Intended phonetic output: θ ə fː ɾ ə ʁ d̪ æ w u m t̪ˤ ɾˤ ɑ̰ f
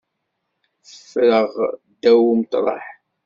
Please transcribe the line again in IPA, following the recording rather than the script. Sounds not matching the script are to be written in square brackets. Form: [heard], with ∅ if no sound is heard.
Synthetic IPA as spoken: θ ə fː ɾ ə ʁ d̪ æ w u m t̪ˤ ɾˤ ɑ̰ [ħ]